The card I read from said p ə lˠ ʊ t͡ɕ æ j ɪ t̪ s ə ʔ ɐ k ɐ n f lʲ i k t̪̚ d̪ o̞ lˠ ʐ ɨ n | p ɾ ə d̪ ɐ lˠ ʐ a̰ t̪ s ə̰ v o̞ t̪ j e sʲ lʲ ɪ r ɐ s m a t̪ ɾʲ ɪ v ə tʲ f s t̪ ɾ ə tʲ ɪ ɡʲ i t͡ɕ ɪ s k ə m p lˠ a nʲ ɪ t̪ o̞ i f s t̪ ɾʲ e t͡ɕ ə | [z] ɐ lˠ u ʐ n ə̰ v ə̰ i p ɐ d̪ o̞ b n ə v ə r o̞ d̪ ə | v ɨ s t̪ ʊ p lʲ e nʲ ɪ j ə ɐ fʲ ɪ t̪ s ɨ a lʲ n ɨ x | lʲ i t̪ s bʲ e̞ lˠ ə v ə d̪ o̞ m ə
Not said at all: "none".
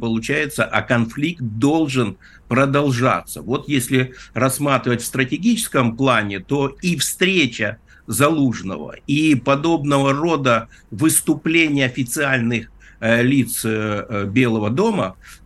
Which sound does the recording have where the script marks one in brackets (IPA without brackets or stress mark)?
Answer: z